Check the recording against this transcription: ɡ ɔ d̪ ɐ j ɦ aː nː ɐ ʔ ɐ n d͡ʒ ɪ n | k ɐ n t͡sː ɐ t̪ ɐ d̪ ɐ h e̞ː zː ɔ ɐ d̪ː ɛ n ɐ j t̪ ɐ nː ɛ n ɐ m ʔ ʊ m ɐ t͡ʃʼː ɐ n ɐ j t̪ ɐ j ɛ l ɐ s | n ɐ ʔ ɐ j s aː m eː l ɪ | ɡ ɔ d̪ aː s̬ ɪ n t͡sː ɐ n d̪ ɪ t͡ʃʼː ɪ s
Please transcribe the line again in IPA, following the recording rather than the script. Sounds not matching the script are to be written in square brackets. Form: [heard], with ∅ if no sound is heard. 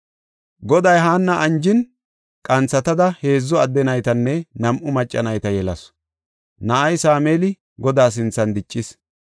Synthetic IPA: ɡ ɔ d̪ ɐ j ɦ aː nː ɐ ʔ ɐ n d͡ʒ ɪ n | [kʼ] ɐ n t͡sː ɐ t̪ ɐ d̪ ɐ h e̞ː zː ɔ ɐ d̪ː ɛ n ɐ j t̪ ɐ nː ɛ n ɐ m ʔ ʊ m ɐ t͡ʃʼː ɐ n ɐ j t̪ ɐ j ɛ l ɐ s | n ɐ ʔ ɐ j s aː m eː l ɪ | ɡ ɔ d̪ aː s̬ ɪ n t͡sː ɐ n d̪ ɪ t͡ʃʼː ɪ s